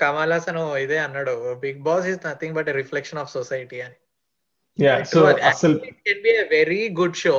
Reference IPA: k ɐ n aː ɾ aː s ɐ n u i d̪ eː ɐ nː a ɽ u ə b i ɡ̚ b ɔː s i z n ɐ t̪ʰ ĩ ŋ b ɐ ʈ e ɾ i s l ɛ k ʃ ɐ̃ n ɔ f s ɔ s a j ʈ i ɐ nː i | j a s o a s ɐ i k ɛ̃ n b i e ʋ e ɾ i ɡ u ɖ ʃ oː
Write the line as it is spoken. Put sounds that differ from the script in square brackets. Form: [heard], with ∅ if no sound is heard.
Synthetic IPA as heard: k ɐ [m] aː [l] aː s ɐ n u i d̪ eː ɐ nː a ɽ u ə b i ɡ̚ b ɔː s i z n ɐ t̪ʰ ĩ ŋ b ɐ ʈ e ɾ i [f] l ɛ k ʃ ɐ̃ n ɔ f s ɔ s a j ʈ i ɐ [n] i | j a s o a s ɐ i k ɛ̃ n b i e ʋ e ɾ i ɡ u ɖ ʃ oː